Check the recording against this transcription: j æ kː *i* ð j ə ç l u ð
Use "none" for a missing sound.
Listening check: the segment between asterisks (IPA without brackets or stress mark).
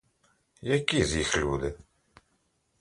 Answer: i